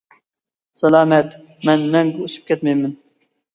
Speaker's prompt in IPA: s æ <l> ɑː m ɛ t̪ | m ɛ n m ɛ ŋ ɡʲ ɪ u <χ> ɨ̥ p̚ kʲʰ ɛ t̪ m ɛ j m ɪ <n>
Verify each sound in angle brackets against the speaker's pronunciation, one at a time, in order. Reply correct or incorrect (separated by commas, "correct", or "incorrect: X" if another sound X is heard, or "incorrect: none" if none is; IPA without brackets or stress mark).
correct, incorrect: s, correct